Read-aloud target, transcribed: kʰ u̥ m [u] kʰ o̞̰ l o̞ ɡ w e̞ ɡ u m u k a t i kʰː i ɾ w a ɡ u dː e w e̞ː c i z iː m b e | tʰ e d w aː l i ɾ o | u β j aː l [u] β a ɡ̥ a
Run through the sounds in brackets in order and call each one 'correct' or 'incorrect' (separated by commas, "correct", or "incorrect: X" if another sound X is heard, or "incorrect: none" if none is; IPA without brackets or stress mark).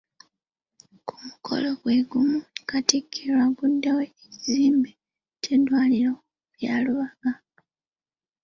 correct, correct